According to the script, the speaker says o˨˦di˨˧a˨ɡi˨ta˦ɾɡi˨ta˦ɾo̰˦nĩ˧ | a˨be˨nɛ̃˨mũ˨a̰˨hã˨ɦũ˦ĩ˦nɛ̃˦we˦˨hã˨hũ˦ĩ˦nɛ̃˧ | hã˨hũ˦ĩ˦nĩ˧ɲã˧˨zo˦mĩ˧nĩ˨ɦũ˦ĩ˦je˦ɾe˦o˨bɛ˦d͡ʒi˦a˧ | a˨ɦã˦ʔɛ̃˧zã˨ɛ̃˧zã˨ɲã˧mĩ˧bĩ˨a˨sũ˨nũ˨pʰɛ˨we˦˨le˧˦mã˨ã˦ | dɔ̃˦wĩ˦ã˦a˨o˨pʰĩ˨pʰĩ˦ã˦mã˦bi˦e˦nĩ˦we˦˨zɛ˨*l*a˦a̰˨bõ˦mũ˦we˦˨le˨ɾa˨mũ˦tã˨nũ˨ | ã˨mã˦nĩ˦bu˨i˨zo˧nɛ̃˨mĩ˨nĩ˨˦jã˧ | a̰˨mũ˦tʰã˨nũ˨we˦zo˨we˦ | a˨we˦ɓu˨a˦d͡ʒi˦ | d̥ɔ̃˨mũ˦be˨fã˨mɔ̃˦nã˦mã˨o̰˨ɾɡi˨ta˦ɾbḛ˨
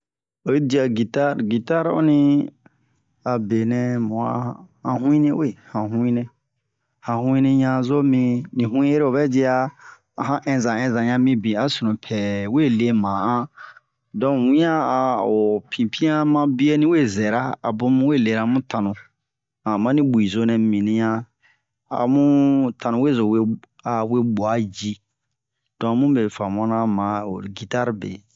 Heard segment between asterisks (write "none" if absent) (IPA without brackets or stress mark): ɾ